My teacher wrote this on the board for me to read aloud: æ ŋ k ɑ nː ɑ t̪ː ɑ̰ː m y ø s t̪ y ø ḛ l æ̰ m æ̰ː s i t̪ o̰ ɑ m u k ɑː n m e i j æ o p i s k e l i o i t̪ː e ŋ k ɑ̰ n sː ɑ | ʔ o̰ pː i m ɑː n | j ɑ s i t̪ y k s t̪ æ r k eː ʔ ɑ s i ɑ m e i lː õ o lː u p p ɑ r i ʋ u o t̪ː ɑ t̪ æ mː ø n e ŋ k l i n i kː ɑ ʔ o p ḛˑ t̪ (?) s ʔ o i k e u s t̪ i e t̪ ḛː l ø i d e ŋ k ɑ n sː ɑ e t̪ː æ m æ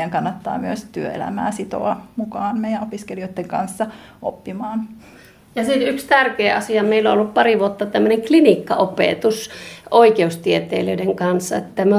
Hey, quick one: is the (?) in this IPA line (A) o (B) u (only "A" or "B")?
B